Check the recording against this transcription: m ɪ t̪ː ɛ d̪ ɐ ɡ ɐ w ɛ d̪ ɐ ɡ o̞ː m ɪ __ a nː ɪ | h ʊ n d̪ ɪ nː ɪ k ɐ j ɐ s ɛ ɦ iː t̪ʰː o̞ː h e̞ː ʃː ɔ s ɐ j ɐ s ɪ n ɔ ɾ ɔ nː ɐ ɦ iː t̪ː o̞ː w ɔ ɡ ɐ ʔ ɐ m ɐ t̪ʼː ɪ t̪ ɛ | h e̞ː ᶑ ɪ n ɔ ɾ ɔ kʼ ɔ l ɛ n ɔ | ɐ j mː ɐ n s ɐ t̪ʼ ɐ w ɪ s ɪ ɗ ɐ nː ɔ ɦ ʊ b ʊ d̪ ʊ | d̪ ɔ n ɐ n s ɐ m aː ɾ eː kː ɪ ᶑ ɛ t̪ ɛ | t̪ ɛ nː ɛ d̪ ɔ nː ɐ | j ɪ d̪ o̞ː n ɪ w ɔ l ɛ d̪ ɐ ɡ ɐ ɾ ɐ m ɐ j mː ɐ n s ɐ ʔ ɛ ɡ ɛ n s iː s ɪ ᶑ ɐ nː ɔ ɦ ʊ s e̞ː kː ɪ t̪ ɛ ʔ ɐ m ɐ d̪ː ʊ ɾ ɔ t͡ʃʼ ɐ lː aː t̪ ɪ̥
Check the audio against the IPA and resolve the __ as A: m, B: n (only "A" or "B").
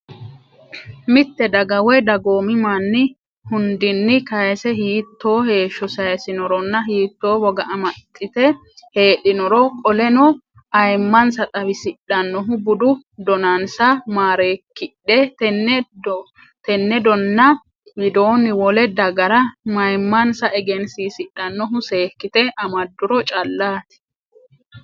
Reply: A